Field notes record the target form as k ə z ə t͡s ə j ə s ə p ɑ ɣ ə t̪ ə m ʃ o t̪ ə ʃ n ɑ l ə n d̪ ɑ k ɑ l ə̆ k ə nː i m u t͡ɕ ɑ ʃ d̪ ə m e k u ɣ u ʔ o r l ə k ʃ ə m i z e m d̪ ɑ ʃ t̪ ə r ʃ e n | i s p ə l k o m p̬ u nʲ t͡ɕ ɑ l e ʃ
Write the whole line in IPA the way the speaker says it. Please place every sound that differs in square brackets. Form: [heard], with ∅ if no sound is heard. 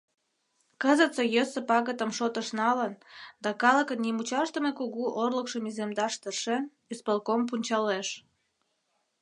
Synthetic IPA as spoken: k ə z ə t͡s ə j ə s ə p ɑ ɣ ə t̪ ə m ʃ o t̪ ə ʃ n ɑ l ə n d̪ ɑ k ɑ l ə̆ k ə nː i m u t͡ɕ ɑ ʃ [t̪] ə m e k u ɣ u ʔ o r l ə k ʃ ə m i z e m d̪ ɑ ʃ t̪ ə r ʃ e n | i s p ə l k o m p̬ u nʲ t͡ɕ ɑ l e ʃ